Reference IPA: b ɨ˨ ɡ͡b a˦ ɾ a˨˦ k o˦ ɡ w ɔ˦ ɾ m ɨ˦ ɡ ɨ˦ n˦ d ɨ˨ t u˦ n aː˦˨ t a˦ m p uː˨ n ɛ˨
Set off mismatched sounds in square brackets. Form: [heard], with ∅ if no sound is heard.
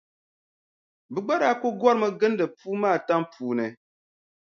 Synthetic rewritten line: b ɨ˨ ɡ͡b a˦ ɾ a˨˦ k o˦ ɡ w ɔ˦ ɾ m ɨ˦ ɡ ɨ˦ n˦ d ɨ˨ [p] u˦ [m] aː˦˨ t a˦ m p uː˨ n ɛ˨